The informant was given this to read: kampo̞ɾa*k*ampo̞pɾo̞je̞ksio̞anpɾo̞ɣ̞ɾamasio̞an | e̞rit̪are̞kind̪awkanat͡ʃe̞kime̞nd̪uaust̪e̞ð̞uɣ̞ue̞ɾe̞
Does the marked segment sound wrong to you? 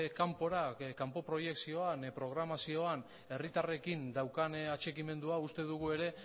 no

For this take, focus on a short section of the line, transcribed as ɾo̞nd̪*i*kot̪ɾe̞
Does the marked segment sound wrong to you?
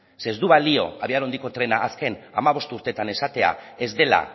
no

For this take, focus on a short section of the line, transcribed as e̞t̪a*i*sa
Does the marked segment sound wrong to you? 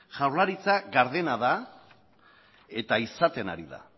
no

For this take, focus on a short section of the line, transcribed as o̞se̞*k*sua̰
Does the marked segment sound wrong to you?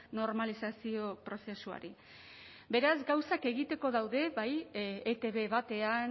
yes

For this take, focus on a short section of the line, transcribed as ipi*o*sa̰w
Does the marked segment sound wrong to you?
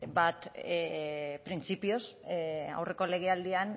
no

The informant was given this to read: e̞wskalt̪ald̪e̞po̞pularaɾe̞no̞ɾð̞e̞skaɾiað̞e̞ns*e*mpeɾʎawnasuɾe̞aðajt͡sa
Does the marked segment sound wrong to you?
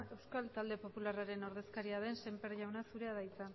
no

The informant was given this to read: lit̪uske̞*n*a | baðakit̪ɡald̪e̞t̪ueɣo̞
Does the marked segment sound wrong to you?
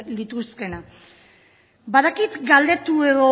no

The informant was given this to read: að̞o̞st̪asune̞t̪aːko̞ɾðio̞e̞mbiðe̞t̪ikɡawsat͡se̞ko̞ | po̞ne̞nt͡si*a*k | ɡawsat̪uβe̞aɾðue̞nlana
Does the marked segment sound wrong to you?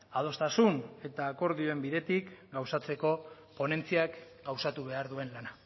no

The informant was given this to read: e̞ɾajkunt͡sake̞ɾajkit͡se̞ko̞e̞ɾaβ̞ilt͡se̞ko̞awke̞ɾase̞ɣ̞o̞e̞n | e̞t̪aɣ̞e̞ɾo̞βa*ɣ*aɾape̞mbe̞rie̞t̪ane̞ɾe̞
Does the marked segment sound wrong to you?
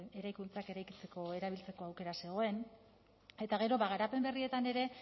no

